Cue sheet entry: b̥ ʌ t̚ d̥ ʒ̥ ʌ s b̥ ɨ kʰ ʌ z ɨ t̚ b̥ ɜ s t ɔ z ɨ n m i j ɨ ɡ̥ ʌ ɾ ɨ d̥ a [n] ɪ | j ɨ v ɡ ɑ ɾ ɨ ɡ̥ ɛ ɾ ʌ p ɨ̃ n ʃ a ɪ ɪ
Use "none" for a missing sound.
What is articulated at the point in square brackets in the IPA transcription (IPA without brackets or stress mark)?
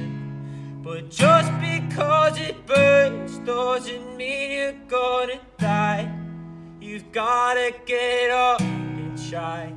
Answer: none